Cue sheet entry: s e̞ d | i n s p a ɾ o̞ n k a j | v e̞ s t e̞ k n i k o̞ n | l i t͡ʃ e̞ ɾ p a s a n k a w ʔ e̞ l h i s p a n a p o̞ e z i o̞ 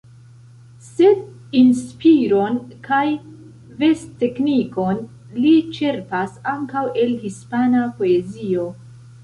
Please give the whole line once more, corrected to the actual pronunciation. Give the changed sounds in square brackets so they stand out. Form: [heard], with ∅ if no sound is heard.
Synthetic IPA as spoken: s e̞ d | i n s p [i] ɾ o̞ n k a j | v e̞ s t e̞ k n i k o̞ n | l i t͡ʃ e̞ ɾ p a s a [ŋ] k a w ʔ e̞ l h i s p a n a p o̞ e z i o̞